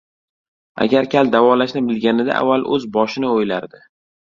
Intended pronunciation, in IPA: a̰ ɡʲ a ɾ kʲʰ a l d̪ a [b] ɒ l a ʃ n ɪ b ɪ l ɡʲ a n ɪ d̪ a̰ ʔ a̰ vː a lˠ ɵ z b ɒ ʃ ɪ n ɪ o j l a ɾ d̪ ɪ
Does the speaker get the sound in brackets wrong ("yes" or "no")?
yes